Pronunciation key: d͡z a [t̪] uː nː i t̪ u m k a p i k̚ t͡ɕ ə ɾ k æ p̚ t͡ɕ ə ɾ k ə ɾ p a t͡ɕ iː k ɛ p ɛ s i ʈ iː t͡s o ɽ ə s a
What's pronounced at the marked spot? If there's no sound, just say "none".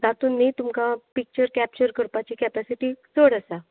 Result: t̪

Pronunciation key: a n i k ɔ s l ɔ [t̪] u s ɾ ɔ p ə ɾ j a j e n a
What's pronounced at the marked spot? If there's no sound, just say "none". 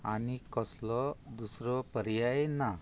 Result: d̪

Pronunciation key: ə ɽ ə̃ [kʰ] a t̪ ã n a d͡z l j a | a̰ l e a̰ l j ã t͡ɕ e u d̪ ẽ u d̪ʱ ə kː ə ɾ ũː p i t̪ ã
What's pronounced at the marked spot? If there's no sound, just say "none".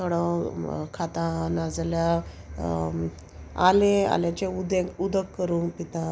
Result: kʰ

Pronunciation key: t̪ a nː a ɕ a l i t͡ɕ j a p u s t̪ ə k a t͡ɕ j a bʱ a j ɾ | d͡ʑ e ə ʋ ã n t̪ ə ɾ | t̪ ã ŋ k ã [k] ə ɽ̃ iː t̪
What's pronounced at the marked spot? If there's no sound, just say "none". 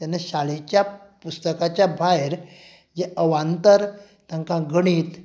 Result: ɡ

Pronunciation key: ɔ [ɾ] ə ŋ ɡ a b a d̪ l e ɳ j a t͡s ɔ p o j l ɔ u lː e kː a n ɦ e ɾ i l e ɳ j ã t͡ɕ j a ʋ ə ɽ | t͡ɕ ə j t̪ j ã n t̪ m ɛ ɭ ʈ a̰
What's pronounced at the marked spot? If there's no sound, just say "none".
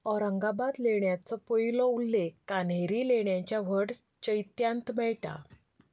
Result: ɾ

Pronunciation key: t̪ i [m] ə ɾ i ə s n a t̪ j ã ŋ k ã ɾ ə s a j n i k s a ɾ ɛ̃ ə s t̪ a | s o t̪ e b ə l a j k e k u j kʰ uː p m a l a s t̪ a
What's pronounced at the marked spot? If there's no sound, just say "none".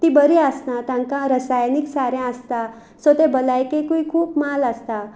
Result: b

